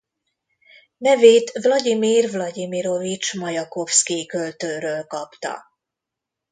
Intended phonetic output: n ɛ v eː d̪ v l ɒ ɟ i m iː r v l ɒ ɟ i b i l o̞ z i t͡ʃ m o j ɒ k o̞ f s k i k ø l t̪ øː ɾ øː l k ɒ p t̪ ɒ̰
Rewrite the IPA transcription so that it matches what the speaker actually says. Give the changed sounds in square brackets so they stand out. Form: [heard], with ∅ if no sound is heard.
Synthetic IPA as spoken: n ɛ v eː [t̪] v l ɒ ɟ i m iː r v l ɒ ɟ i [m] i [ɾ] o̞ [v] i t͡ʃ m [ɒ] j ɒ k o̞ f s k i k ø l t̪ øː ɾ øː l k ɒ p t̪ ɒ̰